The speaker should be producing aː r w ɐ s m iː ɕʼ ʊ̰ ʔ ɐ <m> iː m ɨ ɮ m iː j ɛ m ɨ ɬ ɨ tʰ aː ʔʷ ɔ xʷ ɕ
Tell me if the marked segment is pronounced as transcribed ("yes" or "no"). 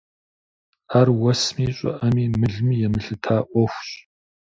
yes